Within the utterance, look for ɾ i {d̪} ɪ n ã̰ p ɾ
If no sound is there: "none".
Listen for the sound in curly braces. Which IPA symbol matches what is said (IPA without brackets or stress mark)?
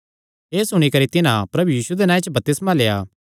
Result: t̪